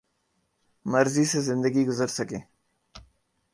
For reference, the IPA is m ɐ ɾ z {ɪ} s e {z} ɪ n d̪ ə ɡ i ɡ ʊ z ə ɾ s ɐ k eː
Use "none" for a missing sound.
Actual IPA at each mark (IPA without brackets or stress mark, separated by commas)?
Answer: i, z